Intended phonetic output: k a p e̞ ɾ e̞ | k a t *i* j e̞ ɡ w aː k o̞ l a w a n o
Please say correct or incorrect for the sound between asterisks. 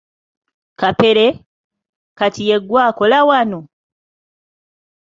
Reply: correct